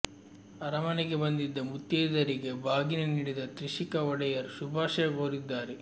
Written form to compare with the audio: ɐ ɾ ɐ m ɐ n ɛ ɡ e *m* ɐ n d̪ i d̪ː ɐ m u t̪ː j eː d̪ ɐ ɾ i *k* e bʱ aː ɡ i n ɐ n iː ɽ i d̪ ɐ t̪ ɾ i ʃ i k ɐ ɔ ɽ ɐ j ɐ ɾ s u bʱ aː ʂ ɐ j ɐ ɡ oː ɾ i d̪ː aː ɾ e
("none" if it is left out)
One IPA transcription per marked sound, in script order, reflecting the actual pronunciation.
b, ɡ

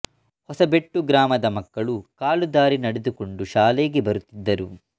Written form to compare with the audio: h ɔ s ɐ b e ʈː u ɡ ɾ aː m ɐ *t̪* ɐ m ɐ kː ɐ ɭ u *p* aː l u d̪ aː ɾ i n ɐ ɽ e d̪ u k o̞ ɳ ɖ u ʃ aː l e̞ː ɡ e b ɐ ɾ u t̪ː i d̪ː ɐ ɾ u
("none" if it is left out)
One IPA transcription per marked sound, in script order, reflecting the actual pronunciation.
d̪, k

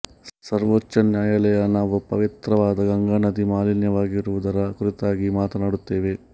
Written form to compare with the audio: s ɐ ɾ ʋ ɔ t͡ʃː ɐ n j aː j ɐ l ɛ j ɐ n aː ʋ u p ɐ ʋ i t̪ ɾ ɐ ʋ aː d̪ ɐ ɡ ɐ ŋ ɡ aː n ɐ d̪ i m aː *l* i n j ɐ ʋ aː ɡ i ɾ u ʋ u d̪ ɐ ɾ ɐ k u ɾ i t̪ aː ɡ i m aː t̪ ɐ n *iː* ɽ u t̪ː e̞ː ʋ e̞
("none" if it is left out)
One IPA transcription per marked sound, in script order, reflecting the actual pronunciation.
l, aː

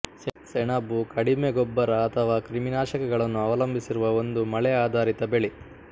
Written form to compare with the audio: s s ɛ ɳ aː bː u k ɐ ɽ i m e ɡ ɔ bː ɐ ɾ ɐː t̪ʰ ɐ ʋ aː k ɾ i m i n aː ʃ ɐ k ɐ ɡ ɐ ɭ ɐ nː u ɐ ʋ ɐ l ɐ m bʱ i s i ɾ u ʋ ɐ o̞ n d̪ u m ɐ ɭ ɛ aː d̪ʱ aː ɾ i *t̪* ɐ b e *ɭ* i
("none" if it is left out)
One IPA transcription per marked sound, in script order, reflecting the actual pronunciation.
t̪, ɭ

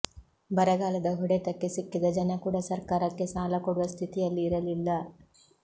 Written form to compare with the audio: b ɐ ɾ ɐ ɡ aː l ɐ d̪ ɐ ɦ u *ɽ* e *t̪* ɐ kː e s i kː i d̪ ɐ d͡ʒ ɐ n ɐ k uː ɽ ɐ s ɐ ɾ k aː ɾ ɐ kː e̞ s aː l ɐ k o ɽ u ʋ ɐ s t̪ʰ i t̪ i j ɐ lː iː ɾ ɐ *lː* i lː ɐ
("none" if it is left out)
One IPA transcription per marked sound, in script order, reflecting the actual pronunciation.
ɽ, t̪, l

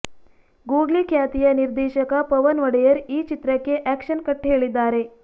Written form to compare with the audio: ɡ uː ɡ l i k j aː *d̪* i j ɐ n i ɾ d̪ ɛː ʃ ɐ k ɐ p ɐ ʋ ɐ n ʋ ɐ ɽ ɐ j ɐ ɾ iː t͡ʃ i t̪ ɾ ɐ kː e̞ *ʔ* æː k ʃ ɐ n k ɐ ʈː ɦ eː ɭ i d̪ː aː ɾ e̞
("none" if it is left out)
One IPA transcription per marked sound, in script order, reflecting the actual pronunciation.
t̪, ʔ

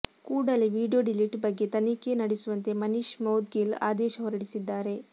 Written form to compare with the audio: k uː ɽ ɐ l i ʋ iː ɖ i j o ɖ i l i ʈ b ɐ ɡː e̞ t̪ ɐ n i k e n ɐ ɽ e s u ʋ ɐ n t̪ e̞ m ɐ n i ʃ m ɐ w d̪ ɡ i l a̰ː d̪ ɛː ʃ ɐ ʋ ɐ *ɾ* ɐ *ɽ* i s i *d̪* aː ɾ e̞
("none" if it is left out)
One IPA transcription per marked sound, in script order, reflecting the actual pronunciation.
ɾ, ɽ, d̪ː

